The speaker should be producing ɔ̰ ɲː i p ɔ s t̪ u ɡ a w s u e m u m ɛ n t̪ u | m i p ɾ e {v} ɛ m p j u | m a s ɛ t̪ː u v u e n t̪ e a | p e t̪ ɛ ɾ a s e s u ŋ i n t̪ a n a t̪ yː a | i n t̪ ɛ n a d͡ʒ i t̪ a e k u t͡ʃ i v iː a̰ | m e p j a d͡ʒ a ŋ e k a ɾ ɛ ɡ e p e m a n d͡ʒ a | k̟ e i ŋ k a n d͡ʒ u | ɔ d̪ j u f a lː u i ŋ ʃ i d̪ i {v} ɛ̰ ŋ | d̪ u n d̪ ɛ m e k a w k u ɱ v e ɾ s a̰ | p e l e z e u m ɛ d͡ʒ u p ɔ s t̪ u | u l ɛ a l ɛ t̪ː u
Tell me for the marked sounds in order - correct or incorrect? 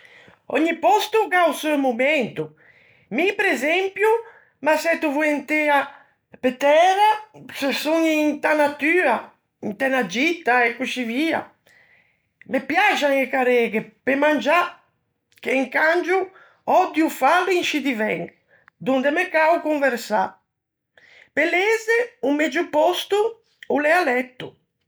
incorrect, correct

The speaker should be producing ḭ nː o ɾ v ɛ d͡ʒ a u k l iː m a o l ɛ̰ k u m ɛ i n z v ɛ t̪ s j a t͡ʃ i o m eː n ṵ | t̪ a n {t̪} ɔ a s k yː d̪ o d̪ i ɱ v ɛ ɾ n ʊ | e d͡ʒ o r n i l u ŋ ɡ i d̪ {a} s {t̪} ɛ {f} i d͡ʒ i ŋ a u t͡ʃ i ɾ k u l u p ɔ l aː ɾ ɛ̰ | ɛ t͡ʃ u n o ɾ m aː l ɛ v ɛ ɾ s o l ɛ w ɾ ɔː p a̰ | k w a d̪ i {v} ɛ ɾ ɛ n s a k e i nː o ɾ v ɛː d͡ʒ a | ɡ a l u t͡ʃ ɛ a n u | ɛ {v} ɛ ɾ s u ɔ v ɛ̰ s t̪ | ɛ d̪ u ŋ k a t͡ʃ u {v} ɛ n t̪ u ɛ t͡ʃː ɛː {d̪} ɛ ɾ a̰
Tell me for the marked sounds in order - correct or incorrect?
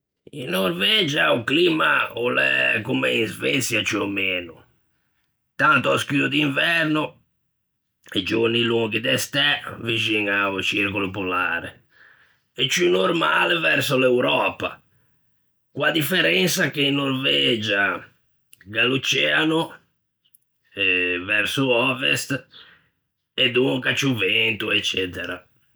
correct, incorrect, correct, incorrect, incorrect, correct, correct, incorrect

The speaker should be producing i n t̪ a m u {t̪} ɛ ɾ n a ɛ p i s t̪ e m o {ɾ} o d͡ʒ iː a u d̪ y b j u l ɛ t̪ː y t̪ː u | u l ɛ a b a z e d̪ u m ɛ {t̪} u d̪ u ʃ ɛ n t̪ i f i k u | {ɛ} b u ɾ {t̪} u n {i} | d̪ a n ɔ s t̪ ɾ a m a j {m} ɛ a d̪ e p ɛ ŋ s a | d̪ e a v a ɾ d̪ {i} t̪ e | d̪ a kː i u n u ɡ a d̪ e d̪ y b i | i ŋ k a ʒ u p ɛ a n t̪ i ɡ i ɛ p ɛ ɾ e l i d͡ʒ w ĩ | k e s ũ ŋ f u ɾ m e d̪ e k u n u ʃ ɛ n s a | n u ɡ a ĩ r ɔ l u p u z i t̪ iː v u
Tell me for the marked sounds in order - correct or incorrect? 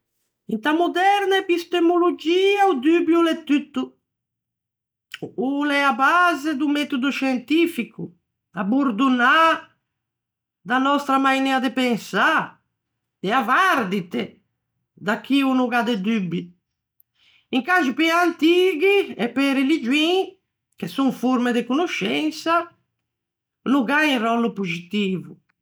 incorrect, incorrect, correct, incorrect, incorrect, incorrect, incorrect, correct

